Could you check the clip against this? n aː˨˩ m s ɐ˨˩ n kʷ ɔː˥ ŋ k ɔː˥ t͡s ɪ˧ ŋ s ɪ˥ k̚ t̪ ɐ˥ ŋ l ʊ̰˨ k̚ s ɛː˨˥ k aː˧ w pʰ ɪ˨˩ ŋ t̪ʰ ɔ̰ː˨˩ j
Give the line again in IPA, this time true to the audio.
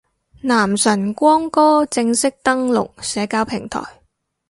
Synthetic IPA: n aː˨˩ m s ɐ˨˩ n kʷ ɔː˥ ŋ k ɔː˥ t͡s ɪ˧ ŋ s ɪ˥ k̚ t̪ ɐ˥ ŋ l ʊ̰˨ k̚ s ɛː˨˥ k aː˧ w pʰ ɪ˨˩ ŋ t̪ʰ ɔ̰ː˨˩ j